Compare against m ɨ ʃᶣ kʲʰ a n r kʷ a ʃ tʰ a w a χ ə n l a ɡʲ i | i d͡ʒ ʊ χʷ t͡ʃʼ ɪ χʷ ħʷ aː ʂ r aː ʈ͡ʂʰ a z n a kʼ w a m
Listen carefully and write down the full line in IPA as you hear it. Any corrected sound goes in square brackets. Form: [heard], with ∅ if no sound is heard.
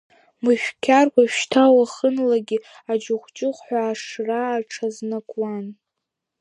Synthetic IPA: m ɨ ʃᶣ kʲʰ a [∅] r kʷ a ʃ tʰ a w a χ ə n l a ɡʲ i | [a] d͡ʒ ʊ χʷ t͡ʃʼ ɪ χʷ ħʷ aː ʂ r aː ʈ͡ʂʰ a z n a kʼ w a [n]